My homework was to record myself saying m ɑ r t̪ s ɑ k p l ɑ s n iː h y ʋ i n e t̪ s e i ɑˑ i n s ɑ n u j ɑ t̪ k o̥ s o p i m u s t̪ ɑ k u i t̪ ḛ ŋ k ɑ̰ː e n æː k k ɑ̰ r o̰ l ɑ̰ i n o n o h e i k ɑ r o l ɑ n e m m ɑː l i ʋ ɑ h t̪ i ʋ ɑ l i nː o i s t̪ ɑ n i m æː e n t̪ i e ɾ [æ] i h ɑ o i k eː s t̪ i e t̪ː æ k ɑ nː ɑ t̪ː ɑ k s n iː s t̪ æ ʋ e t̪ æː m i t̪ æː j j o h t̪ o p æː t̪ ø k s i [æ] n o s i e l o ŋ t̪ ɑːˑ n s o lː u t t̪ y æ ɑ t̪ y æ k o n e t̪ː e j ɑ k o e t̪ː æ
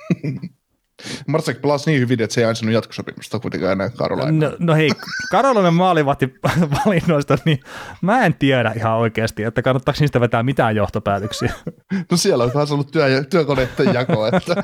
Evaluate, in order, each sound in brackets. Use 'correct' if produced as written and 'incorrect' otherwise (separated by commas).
correct, correct